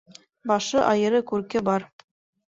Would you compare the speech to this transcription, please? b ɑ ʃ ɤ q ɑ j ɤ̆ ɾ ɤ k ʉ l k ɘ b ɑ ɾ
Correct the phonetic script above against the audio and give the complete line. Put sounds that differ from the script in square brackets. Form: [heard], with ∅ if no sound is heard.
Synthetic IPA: b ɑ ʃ ɤ [ʔ] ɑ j ɤ̆ ɾ ɤ k ʉ [ɾ] k ɘ b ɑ ɾ